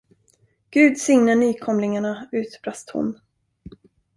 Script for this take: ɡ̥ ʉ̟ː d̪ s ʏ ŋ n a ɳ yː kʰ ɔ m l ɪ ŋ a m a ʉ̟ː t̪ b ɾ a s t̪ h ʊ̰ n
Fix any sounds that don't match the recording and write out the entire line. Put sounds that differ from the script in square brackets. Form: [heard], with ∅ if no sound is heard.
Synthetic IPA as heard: ɡ̥ ʉ̟ː d̪ s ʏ ŋ n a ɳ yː kʰ ɔ m l ɪ ŋ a [ɳ] a ʉ̟ː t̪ b ɾ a s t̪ h ʊ̰ n